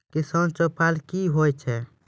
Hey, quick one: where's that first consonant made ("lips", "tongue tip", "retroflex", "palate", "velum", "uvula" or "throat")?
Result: velum